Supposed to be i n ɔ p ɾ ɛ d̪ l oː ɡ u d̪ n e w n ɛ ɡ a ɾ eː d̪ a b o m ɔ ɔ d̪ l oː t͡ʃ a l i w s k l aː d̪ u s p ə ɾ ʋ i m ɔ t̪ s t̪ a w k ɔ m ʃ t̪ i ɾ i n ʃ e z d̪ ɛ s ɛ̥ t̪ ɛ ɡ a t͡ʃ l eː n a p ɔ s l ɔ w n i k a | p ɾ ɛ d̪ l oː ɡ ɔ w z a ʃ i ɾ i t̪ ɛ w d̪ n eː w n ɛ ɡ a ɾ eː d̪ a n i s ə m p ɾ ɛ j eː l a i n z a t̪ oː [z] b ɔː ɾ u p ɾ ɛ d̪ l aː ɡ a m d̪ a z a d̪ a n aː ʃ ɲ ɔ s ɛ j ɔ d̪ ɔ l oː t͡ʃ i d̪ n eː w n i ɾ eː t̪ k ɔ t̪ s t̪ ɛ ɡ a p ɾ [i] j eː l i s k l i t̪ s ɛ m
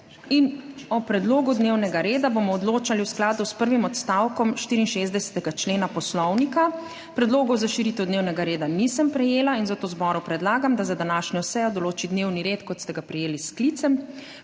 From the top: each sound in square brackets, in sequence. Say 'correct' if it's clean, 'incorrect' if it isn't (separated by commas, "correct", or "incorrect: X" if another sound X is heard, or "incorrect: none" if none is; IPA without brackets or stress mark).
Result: correct, incorrect: ɛ